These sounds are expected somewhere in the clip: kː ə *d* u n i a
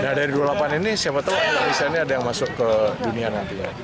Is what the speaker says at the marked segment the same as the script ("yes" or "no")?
yes